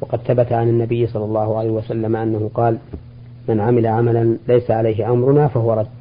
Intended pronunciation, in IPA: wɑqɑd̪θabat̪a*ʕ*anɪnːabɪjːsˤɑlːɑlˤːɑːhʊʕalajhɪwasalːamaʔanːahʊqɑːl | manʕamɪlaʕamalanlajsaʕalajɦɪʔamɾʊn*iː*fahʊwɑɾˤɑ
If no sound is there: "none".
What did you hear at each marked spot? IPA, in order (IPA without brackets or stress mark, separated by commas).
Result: ʕ, aː